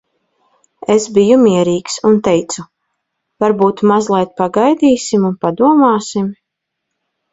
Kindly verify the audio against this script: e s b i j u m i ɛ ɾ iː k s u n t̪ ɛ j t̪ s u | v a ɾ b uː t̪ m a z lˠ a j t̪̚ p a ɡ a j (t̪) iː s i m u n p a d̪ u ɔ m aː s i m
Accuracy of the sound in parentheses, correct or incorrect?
incorrect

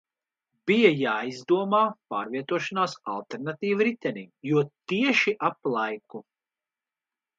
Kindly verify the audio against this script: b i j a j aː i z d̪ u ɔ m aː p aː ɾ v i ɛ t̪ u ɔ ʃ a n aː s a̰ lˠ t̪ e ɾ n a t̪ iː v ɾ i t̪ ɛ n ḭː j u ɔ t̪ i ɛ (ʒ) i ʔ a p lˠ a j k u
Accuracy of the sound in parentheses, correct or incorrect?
incorrect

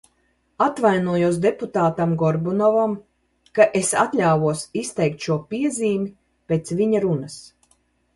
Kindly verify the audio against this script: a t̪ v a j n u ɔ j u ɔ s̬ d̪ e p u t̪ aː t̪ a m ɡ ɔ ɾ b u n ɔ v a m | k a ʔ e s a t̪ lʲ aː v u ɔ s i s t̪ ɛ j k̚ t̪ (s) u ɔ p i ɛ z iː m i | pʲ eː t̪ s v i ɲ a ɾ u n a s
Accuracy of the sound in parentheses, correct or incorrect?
incorrect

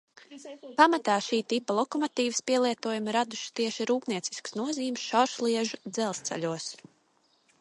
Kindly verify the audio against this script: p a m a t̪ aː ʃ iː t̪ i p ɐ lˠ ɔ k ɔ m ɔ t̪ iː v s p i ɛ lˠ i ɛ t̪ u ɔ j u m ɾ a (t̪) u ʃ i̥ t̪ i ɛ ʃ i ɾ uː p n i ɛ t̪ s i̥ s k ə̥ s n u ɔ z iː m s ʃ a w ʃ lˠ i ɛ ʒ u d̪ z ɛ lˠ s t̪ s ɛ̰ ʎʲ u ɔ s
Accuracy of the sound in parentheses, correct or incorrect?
incorrect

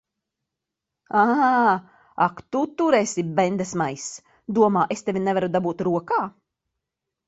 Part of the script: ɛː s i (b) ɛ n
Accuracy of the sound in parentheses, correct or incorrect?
correct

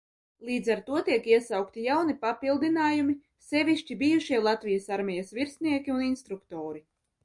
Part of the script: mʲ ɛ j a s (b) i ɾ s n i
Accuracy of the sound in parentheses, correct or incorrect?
incorrect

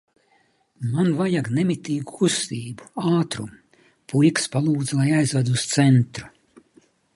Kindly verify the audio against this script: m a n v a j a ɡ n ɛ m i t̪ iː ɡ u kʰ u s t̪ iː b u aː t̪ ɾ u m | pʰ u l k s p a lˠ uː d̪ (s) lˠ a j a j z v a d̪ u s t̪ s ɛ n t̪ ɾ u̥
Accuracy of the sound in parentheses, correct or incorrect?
incorrect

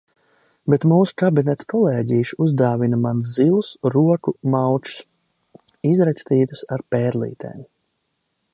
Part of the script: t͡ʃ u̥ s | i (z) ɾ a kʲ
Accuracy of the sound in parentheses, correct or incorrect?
correct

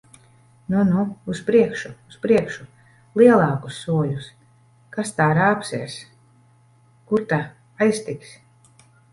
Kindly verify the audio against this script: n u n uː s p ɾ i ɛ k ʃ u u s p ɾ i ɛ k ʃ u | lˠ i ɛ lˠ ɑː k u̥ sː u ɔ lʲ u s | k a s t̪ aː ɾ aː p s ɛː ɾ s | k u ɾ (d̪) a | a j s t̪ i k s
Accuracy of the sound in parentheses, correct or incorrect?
incorrect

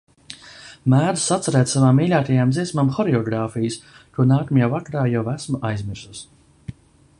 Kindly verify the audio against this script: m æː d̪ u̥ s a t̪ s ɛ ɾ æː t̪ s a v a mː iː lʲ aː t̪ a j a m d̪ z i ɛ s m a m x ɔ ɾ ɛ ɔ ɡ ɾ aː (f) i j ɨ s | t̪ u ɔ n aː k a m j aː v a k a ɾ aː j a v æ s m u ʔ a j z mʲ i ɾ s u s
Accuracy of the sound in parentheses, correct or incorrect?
correct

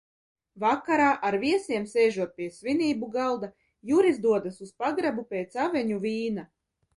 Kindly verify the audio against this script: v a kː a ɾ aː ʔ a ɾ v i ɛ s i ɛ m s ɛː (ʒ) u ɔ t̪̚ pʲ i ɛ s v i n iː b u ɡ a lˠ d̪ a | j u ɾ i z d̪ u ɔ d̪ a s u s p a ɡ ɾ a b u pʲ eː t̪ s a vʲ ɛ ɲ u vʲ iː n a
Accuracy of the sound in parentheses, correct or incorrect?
correct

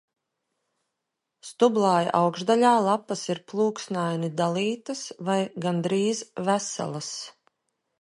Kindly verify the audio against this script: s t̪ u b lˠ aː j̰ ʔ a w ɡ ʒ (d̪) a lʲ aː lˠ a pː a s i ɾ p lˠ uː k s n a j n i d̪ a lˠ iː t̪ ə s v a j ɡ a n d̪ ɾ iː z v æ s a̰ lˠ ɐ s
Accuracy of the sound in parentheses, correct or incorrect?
correct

